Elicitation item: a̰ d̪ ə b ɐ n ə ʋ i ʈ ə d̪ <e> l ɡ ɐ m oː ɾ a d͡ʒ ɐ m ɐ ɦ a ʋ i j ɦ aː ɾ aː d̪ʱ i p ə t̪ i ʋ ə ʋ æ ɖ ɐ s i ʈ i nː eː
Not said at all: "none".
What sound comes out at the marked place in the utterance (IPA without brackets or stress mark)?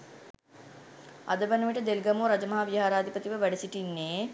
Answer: e